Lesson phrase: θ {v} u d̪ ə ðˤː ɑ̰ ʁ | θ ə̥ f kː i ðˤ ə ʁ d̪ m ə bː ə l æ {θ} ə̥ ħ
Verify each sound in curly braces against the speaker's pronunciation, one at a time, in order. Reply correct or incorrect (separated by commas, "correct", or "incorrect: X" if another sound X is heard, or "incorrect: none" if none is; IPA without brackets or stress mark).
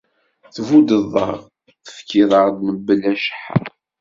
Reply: correct, incorrect: ʃ